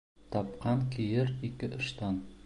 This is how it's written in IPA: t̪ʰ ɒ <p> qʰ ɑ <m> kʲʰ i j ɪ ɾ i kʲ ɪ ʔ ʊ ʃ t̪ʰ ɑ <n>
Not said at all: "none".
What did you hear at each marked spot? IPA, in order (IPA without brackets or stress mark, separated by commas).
p, n, n